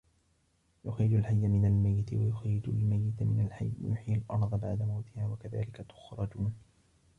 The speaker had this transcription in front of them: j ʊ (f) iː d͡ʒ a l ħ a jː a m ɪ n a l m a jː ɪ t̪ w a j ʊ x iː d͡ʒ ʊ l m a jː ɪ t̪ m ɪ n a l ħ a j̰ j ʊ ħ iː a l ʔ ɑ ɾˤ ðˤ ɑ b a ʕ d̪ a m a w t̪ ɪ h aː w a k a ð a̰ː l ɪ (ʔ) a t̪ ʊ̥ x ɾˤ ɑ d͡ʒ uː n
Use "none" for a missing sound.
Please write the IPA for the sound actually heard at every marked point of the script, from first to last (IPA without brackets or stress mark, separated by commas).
x, k